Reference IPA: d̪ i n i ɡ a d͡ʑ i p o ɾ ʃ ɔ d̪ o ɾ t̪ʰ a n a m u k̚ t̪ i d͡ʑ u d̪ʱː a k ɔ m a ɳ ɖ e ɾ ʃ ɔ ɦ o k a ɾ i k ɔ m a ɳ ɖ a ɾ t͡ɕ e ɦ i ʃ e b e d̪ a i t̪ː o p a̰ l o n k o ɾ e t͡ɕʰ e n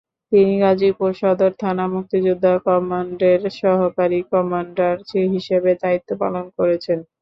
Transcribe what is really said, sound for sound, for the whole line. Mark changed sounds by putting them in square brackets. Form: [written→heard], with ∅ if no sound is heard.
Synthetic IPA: [d̪→t̪] i n i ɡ a d͡ʑ i p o ɾ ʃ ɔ d̪ o ɾ t̪ʰ a n a m u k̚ t̪ i d͡ʑ u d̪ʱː a k ɔ m a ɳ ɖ e ɾ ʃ ɔ ɦ o k a ɾ i k ɔ m a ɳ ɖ a ɾ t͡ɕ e ɦ i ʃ e b e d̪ a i t̪ː o p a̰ l o n k o ɾ e t͡ɕʰ e n